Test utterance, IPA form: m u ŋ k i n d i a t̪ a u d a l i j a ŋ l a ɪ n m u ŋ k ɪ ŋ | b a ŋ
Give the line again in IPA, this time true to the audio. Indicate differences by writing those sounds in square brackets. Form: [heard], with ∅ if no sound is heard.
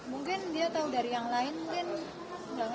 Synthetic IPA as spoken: m u ŋ k [ɪ] n d i a t̪ a u d a [ɾ] i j a ŋ l a ɪ n m u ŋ k ɪ [n] | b a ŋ